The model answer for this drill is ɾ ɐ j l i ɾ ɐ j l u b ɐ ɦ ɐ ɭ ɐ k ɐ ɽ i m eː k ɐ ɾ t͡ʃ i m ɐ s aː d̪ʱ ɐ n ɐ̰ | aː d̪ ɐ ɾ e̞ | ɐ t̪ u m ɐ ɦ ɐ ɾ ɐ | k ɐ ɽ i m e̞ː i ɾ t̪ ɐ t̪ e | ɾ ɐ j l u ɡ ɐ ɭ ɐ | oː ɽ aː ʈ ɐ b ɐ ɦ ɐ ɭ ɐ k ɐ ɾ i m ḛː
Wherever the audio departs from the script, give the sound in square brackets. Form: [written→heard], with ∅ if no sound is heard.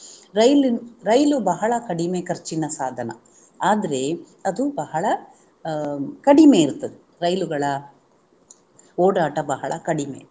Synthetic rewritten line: ɾ ɐ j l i ɾ ɐ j l u b ɐ ɦ ɐ ɭ ɐ k ɐ ɽ i m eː k ɐ ɾ t͡ʃ i [m→n] ɐ s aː d̪ʱ ɐ n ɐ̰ | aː d̪ ɐ ɾ e̞ | ɐ [t̪→d̪] u [m→b] ɐ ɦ ɐ [ɾ→ɭ] ɐ | k ɐ ɽ i m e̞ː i ɾ t̪ ɐ [t̪→d̪] e | ɾ ɐ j l u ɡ ɐ ɭ ɐ | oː ɽ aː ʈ ɐ b ɐ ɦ ɐ ɭ ɐ k ɐ [ɾ→ɽ] i m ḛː